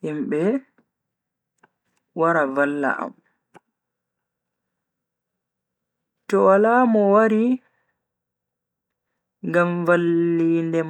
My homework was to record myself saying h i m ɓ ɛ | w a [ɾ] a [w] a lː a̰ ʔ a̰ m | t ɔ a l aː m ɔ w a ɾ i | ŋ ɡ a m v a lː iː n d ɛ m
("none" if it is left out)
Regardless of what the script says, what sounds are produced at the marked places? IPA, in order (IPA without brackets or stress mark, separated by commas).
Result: ɾ, v